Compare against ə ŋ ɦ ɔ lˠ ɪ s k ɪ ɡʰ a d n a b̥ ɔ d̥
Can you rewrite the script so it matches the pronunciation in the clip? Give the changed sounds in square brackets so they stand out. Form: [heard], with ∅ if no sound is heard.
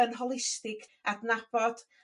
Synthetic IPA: ə [n] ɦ ɔ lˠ ɪ s [t] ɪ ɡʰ a d n a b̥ ɔ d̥